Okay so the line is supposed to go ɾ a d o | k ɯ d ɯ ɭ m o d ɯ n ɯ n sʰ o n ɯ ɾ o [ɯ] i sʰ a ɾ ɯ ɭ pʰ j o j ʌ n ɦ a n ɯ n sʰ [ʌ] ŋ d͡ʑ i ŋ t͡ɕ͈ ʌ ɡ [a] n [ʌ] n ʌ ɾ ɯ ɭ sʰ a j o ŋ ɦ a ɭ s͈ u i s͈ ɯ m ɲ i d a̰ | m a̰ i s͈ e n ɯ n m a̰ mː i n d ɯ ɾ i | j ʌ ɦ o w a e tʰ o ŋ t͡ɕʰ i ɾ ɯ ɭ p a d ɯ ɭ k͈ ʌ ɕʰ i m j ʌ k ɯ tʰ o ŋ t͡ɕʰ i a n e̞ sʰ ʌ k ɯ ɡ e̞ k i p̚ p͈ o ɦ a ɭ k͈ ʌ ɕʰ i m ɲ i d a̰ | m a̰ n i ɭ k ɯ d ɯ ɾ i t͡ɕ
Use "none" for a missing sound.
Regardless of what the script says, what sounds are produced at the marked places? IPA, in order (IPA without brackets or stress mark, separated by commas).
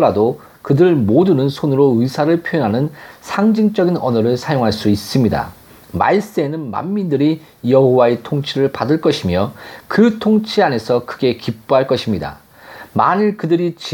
ɯ, a, i, ʌ